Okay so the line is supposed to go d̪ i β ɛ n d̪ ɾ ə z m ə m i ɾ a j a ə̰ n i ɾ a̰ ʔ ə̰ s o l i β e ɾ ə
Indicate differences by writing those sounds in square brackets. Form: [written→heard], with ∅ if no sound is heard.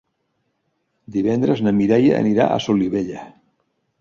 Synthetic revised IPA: d̪ i β ɛ n d̪ ɾ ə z [m→n] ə m i ɾ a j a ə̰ n i ɾ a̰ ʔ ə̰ s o l i β e [ɾ→ʎ] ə